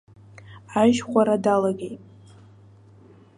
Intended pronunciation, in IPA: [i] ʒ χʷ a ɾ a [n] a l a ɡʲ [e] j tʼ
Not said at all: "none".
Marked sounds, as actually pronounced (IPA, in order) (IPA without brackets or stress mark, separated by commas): a, d, e